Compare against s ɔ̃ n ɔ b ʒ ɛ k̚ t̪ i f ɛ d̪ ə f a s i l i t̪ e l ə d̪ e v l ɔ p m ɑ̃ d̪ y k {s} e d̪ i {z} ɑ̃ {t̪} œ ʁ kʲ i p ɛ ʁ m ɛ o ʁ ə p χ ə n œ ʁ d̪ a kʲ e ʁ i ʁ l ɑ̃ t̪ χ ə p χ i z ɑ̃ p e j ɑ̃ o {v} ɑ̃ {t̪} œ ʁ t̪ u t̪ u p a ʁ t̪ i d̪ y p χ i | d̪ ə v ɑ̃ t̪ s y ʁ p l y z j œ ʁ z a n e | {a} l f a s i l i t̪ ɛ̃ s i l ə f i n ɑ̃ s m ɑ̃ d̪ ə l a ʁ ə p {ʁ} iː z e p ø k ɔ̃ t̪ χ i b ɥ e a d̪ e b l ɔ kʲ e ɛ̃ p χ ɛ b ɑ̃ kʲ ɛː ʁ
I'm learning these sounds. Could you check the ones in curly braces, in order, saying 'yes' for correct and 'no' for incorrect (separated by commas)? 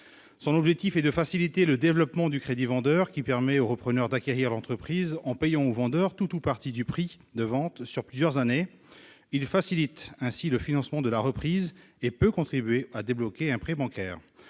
no, no, no, yes, no, no, no